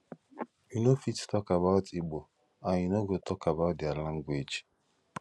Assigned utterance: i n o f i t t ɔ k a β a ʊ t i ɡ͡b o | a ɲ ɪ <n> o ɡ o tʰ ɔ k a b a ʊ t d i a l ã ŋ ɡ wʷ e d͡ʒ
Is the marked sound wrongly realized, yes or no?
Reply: no